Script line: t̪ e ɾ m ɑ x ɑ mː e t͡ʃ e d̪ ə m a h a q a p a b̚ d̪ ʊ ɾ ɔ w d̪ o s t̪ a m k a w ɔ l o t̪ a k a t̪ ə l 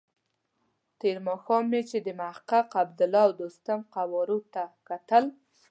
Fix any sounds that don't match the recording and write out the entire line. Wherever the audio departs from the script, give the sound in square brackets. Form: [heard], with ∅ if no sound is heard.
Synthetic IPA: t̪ e ɾ m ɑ x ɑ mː e t͡ʃ e d̪ ə m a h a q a [q] a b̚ d̪ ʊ [l] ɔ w d̪ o s t̪ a m [q] a w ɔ [ɾ] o t̪ a k a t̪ ə l